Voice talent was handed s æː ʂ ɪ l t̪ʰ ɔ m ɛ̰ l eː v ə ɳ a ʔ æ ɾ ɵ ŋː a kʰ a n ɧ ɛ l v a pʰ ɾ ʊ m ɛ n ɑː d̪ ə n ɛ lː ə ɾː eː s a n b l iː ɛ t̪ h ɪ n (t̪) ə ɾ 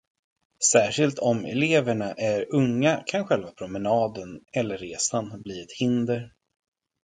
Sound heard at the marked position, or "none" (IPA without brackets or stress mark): d̪